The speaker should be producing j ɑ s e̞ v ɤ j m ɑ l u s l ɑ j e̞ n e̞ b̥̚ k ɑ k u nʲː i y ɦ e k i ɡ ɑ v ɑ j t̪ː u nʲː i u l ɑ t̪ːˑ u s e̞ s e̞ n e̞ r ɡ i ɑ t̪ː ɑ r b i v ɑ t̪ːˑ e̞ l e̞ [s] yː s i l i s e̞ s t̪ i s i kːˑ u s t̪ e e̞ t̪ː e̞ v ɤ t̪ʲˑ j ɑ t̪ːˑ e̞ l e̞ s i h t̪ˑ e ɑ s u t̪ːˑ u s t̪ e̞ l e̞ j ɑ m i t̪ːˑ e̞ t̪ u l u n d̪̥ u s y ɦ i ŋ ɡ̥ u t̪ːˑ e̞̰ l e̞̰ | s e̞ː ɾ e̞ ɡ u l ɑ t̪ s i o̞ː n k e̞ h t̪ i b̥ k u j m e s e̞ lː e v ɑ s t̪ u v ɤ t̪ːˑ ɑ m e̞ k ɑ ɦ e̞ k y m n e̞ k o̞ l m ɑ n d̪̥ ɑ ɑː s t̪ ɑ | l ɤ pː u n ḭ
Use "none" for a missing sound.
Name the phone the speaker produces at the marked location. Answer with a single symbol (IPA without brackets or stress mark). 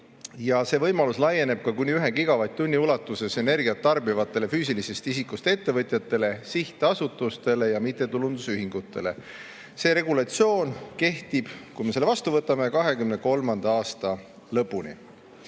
f